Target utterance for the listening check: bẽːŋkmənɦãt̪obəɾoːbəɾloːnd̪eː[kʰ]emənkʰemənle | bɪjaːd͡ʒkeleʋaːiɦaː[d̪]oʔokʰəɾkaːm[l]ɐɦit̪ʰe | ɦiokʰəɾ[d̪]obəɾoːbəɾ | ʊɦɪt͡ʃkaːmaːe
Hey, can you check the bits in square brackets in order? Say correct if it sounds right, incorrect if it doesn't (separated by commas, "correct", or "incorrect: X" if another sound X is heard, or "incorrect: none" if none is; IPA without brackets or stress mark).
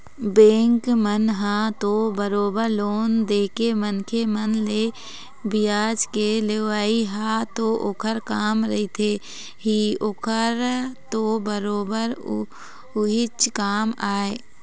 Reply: incorrect: k, incorrect: t̪, incorrect: ɾ, incorrect: t̪